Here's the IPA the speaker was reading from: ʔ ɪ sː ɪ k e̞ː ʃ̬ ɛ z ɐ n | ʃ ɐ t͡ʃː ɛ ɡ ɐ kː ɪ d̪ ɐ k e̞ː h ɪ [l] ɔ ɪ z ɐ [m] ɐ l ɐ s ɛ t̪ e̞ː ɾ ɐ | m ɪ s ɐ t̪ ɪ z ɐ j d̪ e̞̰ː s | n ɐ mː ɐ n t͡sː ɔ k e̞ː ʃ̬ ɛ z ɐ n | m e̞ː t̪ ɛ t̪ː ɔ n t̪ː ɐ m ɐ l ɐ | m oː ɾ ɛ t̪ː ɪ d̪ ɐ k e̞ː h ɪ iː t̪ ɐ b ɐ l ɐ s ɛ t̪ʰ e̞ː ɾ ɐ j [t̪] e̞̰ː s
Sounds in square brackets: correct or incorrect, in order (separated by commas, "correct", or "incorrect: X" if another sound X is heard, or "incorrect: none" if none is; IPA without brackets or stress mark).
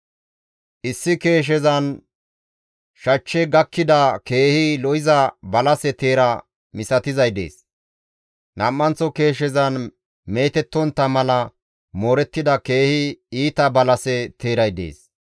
correct, incorrect: b, incorrect: d̪